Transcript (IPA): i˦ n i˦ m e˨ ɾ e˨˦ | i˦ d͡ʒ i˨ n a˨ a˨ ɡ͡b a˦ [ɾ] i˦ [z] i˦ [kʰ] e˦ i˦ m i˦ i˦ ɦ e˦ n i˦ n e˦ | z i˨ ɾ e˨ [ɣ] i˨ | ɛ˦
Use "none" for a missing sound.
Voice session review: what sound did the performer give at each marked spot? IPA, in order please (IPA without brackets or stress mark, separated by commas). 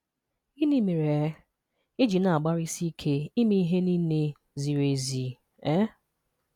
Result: ɾ, s, kʰ, z